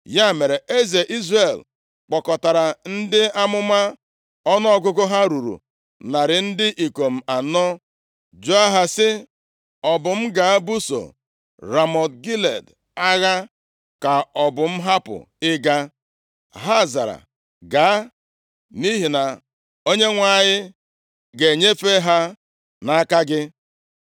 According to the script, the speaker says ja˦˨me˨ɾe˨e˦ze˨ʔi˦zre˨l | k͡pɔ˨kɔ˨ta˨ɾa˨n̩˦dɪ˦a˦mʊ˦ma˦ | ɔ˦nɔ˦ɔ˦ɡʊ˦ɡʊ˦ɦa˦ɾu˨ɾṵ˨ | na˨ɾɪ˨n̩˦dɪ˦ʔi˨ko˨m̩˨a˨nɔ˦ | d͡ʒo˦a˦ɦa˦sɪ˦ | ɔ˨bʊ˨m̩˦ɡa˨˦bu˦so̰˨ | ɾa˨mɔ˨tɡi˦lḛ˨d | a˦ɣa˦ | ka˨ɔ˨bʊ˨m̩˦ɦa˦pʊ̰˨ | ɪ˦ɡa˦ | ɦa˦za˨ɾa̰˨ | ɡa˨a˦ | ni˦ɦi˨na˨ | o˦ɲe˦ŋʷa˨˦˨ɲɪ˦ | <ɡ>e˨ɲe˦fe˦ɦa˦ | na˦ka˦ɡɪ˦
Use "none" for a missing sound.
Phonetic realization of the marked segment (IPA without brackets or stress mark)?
ɡ